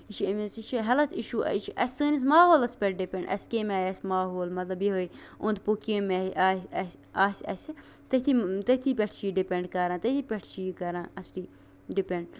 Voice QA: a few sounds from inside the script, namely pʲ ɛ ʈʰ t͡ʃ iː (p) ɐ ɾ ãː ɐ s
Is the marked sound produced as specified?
no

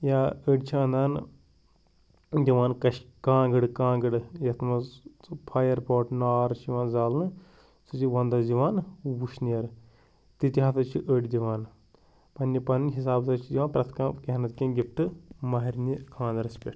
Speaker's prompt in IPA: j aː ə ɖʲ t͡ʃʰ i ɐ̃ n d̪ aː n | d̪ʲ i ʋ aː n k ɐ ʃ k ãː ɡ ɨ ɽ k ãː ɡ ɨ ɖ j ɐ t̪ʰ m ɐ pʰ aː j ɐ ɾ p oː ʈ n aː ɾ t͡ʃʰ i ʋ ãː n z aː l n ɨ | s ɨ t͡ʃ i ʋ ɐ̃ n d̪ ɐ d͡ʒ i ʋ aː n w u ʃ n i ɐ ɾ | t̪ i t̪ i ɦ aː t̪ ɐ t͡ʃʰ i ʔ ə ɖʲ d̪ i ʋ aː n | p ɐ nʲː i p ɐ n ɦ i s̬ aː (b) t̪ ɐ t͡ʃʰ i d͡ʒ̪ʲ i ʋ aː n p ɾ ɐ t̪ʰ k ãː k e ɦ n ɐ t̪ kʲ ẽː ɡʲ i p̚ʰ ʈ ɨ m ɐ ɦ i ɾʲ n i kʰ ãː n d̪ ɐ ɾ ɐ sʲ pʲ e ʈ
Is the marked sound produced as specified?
yes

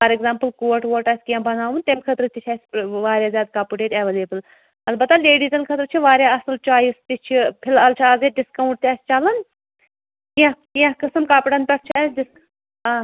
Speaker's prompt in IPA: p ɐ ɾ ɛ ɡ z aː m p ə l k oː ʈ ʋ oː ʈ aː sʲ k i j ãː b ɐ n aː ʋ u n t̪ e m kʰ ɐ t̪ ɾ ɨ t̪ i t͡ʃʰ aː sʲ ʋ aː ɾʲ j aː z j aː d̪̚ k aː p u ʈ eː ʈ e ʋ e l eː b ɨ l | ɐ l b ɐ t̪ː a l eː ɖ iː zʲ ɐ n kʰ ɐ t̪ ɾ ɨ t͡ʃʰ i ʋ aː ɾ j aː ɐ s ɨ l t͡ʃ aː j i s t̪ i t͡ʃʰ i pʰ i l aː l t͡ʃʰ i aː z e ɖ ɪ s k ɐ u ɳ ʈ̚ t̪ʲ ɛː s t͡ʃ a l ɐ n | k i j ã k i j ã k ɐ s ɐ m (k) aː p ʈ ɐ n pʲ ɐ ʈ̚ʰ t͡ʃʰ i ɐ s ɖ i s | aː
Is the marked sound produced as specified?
yes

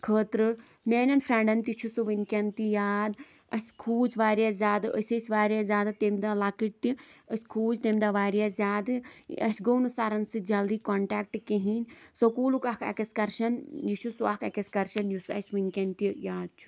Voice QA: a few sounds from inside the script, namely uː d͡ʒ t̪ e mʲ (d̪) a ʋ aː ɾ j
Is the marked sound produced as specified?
yes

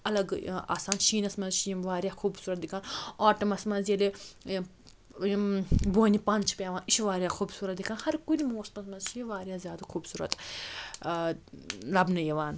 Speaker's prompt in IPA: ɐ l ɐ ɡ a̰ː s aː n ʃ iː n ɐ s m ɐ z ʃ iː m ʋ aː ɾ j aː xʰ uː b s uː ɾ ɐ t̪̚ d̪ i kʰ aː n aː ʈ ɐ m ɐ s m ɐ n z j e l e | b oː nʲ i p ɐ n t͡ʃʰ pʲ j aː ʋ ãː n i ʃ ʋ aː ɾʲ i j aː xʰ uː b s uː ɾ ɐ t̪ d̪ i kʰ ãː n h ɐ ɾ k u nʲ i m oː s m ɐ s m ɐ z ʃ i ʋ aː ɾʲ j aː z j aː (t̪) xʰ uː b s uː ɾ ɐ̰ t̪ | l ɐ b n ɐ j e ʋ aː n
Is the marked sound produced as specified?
no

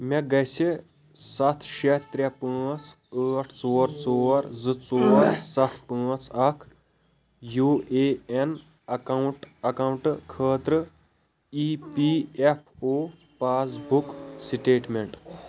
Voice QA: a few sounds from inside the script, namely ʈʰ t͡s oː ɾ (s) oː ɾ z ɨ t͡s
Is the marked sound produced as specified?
no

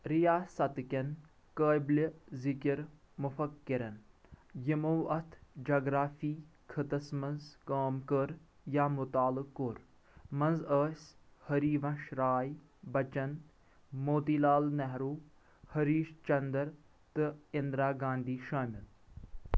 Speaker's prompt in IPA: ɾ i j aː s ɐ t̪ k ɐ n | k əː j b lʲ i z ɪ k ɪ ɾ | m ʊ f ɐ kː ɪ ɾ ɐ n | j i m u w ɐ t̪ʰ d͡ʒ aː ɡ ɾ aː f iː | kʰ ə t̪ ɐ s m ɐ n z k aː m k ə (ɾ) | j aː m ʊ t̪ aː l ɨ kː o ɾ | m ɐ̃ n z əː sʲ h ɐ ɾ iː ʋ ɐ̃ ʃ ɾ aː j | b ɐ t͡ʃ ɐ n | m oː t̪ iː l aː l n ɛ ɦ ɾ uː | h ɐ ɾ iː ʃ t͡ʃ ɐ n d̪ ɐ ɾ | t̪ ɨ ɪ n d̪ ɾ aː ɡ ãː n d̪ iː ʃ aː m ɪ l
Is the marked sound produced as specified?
yes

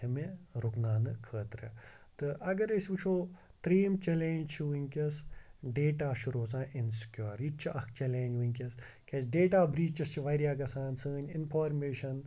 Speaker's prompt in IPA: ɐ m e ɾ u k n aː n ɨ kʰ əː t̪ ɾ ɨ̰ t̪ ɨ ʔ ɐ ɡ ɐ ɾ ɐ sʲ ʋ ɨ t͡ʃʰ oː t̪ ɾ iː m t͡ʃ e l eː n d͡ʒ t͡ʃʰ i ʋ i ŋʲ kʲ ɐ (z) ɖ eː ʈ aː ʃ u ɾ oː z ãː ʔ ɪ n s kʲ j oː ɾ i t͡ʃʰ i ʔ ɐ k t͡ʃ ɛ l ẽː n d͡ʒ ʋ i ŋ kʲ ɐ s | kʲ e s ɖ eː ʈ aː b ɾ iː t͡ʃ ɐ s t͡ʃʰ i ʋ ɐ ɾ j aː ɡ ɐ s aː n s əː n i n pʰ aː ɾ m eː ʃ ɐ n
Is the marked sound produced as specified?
no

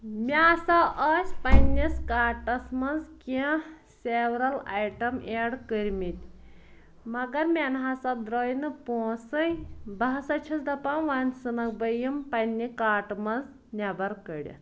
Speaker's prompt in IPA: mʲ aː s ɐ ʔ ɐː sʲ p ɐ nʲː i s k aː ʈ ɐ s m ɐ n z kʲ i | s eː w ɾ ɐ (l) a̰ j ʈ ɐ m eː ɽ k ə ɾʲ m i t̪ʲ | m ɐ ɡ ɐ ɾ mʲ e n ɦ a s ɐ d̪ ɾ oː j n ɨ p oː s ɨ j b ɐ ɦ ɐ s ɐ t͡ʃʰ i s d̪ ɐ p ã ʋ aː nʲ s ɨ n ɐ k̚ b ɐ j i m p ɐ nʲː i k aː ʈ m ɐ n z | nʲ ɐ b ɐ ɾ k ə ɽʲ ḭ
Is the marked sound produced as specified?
yes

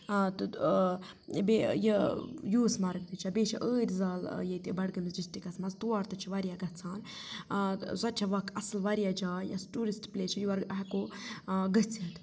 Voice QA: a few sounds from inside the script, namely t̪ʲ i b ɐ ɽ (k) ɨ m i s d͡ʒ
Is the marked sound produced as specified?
no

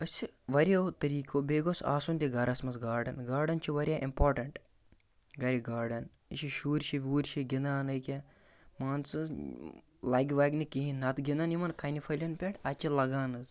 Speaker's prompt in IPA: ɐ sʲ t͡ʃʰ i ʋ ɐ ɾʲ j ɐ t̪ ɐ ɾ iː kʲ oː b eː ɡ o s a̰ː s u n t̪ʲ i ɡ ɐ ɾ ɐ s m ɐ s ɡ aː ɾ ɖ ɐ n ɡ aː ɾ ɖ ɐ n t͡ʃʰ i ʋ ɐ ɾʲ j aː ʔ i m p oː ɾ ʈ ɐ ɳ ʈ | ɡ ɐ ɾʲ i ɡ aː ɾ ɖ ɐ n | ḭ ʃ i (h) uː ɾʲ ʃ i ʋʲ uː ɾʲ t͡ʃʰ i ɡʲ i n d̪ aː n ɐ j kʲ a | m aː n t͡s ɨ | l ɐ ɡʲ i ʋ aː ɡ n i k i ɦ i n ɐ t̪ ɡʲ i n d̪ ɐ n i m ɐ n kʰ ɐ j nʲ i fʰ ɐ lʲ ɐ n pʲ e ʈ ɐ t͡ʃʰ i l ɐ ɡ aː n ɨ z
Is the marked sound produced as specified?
no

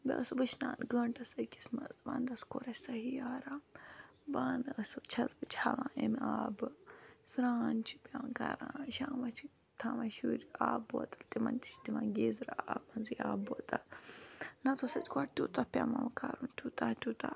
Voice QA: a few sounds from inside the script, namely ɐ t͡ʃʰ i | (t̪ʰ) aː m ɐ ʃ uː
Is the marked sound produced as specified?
yes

